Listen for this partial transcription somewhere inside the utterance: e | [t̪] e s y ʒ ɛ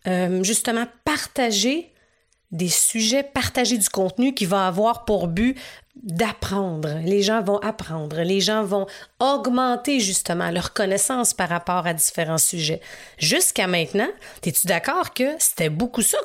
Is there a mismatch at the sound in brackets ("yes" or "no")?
yes